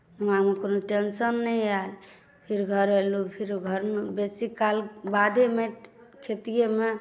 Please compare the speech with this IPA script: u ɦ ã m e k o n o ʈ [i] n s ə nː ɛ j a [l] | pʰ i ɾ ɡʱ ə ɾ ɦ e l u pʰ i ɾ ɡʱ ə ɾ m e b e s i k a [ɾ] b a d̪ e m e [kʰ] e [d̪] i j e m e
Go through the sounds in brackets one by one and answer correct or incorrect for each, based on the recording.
incorrect: e, correct, incorrect: l, correct, incorrect: t̪

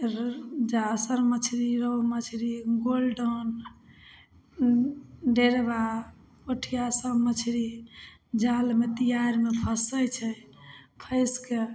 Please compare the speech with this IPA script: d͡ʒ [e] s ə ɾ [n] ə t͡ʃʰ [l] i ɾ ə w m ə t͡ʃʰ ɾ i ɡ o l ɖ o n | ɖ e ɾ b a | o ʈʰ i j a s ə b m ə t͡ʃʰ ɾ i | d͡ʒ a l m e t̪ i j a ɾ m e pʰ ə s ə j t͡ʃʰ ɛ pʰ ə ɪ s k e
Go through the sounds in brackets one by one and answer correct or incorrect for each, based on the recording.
incorrect: a, incorrect: m, incorrect: ɾ

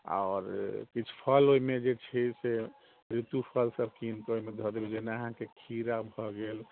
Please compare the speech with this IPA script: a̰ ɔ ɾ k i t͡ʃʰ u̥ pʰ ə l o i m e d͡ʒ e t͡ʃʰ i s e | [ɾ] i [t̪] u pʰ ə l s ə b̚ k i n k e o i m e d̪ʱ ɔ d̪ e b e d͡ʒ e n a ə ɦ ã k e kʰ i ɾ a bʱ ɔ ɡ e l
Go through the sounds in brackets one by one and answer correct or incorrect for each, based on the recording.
correct, correct

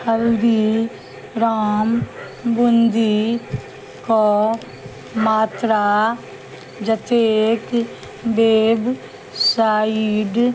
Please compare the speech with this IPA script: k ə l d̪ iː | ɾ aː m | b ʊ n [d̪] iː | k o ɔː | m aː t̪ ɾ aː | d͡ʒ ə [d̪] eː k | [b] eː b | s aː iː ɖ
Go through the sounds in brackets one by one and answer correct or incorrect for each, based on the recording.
correct, incorrect: t̪, correct

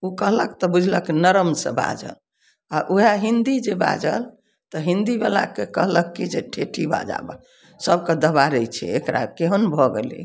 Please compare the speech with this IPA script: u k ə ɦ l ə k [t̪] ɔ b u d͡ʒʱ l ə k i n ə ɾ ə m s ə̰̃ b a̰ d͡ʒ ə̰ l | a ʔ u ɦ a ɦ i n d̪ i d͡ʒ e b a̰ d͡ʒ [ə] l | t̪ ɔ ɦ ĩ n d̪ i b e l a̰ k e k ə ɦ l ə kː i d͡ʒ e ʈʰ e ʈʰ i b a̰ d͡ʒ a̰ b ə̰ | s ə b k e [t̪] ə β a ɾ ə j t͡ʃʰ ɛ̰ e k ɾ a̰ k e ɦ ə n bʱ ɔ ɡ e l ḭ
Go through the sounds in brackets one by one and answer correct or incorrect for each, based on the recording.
correct, correct, incorrect: d̪

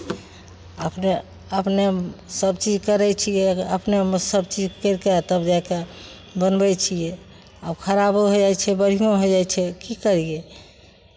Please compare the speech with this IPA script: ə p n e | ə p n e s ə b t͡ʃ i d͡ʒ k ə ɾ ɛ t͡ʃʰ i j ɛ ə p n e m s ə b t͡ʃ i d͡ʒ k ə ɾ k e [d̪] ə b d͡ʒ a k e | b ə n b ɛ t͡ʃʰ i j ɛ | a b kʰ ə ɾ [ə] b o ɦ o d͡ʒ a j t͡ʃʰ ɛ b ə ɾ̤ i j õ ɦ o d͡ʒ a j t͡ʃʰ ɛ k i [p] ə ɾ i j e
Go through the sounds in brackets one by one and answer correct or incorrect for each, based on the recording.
incorrect: t̪, incorrect: a, incorrect: k

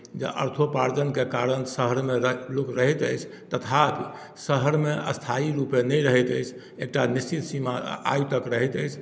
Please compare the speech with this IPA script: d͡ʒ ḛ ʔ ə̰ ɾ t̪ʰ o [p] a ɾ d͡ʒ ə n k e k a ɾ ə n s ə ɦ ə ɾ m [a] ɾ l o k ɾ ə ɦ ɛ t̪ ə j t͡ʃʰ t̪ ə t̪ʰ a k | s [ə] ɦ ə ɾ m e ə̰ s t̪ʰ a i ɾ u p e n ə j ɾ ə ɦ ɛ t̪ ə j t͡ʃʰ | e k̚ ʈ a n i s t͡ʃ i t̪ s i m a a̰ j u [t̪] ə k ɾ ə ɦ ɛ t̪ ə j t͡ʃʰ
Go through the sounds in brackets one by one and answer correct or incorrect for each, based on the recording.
correct, incorrect: e, correct, correct

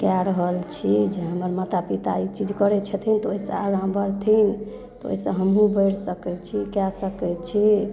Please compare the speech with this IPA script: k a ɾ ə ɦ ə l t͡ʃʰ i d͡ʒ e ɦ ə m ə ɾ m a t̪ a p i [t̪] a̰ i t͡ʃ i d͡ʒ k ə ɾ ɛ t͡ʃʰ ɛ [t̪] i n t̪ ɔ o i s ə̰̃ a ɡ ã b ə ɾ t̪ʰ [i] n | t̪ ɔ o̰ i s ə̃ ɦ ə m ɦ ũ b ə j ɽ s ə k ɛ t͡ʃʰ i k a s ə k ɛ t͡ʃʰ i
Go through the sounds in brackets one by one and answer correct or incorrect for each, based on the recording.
correct, incorrect: t̪ʰ, correct

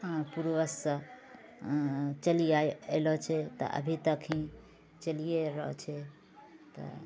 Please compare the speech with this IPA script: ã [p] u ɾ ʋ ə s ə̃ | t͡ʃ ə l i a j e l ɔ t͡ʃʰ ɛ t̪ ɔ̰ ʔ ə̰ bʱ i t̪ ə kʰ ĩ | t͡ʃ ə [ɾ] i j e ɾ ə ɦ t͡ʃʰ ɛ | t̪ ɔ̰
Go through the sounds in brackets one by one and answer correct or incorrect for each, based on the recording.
correct, incorrect: l

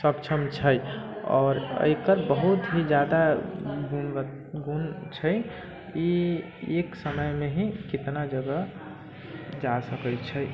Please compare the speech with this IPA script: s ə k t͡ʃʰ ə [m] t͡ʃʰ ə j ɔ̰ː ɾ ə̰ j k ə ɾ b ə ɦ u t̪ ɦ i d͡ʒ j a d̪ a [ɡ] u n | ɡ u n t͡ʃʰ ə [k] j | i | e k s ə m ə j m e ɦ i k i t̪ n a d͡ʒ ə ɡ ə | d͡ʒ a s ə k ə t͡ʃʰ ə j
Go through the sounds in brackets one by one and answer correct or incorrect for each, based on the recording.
correct, correct, incorrect: none

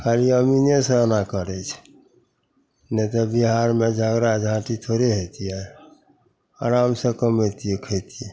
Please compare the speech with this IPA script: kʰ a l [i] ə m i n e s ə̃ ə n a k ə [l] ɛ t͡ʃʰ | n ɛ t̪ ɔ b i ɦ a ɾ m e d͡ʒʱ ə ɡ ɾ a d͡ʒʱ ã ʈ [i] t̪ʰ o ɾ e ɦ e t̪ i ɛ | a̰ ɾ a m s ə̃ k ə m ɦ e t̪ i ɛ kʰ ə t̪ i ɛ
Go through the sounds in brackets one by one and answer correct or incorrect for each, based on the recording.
correct, incorrect: ɾ, correct

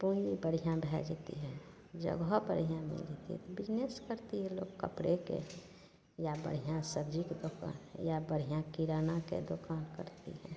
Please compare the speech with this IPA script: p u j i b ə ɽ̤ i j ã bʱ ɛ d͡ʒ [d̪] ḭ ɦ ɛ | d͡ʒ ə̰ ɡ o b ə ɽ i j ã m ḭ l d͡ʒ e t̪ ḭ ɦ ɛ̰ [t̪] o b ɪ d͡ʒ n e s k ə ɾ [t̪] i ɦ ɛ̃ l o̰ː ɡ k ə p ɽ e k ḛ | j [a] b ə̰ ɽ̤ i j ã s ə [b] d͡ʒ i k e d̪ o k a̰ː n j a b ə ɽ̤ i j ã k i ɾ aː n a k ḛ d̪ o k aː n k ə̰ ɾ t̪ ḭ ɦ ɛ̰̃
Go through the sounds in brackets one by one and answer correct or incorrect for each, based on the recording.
incorrect: t̪, correct, correct, correct, correct

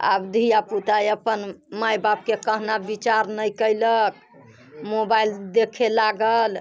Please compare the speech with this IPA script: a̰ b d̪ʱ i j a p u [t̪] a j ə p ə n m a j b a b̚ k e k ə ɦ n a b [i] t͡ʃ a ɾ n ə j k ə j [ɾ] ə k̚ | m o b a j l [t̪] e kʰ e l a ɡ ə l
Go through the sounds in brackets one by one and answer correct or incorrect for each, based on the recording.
correct, correct, incorrect: l, incorrect: d̪

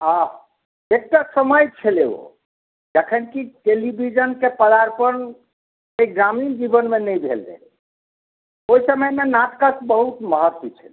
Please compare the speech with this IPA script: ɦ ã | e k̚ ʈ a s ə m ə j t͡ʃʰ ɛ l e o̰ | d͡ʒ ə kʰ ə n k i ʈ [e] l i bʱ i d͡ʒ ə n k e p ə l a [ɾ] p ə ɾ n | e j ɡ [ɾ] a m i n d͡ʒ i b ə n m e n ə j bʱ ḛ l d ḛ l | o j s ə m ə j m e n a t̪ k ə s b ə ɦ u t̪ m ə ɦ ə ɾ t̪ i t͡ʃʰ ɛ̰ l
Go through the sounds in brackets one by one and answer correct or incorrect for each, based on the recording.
correct, correct, correct

